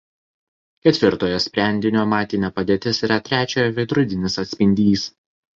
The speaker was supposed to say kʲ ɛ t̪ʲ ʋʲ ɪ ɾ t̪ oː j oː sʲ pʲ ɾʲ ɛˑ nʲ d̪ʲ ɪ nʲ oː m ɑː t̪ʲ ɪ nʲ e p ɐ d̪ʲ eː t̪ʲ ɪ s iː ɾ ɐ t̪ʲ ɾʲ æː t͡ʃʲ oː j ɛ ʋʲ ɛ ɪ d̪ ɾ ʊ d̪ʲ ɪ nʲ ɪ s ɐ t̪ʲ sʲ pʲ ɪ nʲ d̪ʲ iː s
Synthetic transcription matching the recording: kʲ ɛ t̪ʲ ʋʲ ɪ ɾ t̪ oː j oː sʲ pʲ ɾʲ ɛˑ nʲ d̪ʲ ɪ nʲ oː m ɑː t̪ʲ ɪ nʲ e p ɐ d̪ʲ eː t̪ʲ ɪ s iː ɾ ɐ t̪ʲ ɾʲ æː t͡ʃʲ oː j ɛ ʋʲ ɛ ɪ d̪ ɾ ʊ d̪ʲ ɪ nʲ ɪ s ɐ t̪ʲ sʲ pʲ ɪ nʲ d̪ʲ iː s